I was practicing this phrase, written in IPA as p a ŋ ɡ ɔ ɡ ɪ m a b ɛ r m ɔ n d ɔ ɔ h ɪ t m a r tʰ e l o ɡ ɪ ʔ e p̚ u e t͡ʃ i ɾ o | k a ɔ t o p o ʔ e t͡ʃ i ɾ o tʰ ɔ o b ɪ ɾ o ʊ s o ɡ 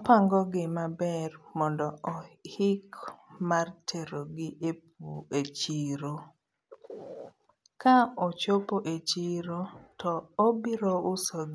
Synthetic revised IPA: p a ŋ ɡ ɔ ɡ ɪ m a b ɛ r m ɔ n d ɔ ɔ h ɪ k m a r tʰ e ɾ o ɡ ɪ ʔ e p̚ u e t͡ʃ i ɾ o | k a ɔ t͡ʃ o p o ʔ e t͡ʃ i ɾ o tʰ ɔ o b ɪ ɾ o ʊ s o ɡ